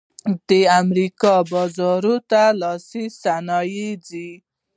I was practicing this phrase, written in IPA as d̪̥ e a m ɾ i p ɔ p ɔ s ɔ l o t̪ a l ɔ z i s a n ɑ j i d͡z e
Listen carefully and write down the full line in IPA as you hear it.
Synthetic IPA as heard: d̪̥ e a m ɾ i k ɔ b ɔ z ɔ ɾ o t̪ a l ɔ s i s a n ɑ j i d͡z i